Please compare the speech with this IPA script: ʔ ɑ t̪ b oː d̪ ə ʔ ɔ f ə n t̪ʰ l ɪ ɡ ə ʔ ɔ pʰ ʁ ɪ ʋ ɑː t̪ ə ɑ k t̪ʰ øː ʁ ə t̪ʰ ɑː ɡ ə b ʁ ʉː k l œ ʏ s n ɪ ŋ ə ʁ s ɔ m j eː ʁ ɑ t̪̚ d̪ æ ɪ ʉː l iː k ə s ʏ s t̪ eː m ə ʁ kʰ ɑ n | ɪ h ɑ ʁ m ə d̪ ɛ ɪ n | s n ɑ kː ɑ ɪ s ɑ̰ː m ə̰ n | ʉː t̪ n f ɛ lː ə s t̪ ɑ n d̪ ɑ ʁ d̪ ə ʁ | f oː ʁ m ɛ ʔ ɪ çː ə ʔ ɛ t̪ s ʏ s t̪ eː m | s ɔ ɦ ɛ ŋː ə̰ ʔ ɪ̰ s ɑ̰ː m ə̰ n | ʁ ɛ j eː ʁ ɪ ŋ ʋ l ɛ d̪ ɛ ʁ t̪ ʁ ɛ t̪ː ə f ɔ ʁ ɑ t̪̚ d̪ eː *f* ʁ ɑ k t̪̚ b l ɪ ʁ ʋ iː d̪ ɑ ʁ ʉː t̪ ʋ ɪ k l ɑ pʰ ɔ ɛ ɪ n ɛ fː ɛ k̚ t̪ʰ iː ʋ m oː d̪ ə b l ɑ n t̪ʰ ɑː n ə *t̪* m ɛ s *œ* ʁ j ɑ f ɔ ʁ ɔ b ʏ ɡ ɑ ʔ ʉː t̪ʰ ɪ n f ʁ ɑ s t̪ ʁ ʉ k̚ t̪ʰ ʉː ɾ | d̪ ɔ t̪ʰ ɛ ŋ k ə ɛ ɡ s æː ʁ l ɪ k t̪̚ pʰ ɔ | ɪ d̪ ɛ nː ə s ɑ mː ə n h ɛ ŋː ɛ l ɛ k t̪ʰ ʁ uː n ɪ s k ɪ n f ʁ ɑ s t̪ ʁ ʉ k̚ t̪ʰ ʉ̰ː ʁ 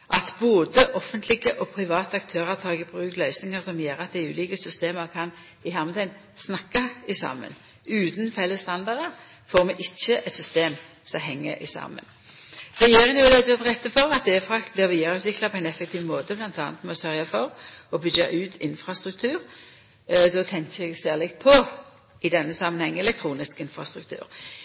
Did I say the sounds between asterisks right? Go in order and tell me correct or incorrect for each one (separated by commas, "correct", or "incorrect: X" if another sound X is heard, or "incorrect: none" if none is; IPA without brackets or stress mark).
correct, correct, correct